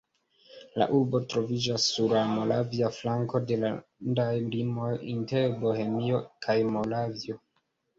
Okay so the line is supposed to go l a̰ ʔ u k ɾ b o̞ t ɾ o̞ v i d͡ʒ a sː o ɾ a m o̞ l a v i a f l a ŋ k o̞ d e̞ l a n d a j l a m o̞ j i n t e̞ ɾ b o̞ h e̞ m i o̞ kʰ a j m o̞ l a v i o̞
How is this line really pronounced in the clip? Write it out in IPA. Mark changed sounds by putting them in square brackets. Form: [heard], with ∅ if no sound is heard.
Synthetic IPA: l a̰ ʔ u [∅] ɾ b o̞ t ɾ o̞ v i d͡ʒ a sː [u] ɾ a m o̞ l a v i a f l a ŋ k o̞ d e̞ l a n d a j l [i] m o̞ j i n t e̞ ɾ b o̞ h e̞ m i o̞ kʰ a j m o̞ l a v i o̞

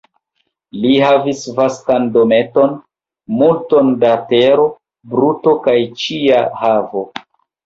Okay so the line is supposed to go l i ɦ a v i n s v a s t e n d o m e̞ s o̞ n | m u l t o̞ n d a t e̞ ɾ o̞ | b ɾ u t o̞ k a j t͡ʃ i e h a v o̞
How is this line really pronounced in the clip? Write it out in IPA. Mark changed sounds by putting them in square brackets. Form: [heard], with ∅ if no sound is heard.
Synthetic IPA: l i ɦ a v i [∅] s v a s t [a] n d o m e̞ [t] o̞ n | m u l t o̞ n d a t e̞ ɾ o̞ | b ɾ u t o̞ k a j t͡ʃ i [a] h a v o̞

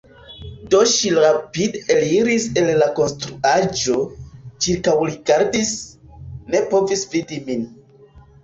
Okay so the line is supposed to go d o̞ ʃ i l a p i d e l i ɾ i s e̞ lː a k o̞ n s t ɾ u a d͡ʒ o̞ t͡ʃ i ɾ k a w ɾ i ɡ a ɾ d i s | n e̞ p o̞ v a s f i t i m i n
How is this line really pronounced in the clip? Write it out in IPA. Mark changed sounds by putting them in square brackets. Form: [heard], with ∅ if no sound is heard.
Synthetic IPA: d o̞ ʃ i [ɾ] a p i d e l i ɾ i s e̞ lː a k o̞ n s t ɾ u a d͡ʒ o̞ t͡ʃ i ɾ k a w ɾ i ɡ a ɾ d i s | n e̞ p o̞ v [i] s [v] i [d] i m i n

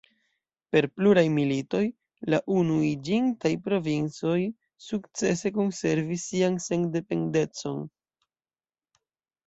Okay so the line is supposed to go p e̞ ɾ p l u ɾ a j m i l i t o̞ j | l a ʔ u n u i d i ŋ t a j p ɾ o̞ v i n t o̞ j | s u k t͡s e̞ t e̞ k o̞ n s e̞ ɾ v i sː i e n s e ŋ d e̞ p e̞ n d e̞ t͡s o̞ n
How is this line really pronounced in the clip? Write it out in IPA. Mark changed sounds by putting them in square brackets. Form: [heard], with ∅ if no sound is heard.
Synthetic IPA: p e̞ ɾ p l u ɾ a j m i l i t o̞ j | l a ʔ u n u i [d͡ʒ] i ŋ t a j p ɾ o̞ v i n [t͡s] o̞ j | s u k t͡s e̞ [s] e̞ k o̞ n s e̞ ɾ v i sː i [a] n s e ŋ d e̞ p e̞ n d e̞ t͡s o̞ n

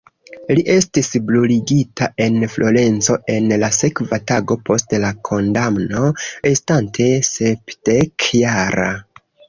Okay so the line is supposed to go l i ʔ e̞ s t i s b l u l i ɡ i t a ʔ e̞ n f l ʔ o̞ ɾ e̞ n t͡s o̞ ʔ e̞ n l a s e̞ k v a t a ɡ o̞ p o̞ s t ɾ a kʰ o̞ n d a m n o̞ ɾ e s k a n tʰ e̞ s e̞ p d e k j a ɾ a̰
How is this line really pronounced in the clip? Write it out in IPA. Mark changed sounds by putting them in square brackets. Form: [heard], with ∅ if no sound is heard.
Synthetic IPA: l i ʔ e̞ s t i s b l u l i ɡ i t a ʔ e̞ n f l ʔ o̞ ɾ e̞ n t͡s o̞ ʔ e̞ n l a s e̞ k v a t a ɡ o̞ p o̞ s t [l] a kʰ o̞ n d a m n o̞ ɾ e s [t] a n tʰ e̞ s e̞ p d e k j a ɾ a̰

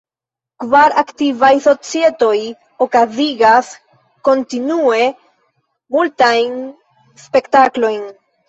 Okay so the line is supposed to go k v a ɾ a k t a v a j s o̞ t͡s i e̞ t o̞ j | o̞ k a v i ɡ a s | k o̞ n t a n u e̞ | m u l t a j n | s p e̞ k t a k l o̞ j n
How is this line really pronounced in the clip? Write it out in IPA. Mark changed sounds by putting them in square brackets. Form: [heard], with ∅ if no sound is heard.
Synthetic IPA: k v a ɾ a k t [i] v a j s o̞ t͡s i e̞ t o̞ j | o̞ k a [z] i ɡ a s | k o̞ n t [i] n u e̞ | m u l t a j n | s p e̞ k t a k l o̞ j n

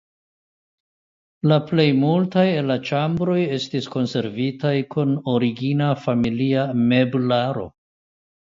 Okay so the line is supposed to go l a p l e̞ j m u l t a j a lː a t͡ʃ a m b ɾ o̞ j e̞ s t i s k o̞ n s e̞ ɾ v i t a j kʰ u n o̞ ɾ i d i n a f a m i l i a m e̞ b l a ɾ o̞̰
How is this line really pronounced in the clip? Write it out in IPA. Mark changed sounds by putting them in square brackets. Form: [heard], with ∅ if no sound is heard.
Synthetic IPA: l a p l e̞ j m u l t a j [e] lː a t͡ʃ a m b ɾ o̞ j e̞ s t i s k o̞ n s e̞ ɾ v i t a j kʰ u n o̞ ɾ i [ɡ] i n a f a m i l i a m e̞ b l a ɾ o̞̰

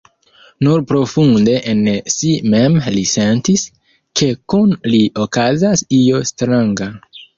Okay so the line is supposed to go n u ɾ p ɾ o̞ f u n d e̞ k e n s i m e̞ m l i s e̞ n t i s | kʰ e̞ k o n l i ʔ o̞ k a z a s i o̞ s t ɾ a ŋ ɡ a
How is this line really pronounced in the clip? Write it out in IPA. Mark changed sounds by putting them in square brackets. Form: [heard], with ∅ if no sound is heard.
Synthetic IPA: n u ɾ p ɾ o̞ f u n d e̞ [ʔ] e n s i m e̞ m l i s e̞ n t i s | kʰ e̞ k [u] n l i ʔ o̞ k a z a s i o̞ s t ɾ a ŋ ɡ a

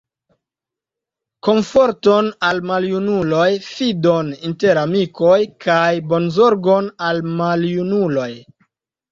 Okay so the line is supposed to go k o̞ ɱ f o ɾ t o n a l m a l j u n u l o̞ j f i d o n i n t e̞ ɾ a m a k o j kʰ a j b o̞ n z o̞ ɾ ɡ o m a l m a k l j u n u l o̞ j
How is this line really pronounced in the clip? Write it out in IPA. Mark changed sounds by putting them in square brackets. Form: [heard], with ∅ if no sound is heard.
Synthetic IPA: k o̞ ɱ f o ɾ t o n a l m a l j u n u l o̞ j f i d o n i n t e̞ ɾ a m [i] k o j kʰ a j b o̞ n z o̞ ɾ ɡ o [n] a l m a [∅] l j u n u l o̞ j

